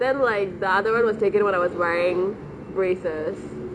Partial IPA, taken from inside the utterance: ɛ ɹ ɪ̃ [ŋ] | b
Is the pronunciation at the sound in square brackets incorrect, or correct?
correct